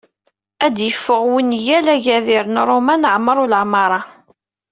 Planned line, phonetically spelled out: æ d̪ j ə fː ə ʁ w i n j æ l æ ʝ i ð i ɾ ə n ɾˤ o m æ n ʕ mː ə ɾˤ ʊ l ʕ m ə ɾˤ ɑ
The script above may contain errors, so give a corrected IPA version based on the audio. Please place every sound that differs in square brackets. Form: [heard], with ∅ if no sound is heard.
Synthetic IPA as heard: æ d̪ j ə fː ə ʁ w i n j æ l æ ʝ [æ] ð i ɾ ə n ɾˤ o m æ n ʕ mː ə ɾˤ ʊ l ʕ m [ɑ] ɾˤ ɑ